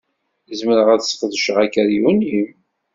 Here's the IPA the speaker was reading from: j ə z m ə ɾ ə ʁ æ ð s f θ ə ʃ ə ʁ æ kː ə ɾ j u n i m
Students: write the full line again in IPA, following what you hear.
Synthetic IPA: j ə z m ə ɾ ə ʁ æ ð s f ð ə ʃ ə ʁ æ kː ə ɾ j u n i m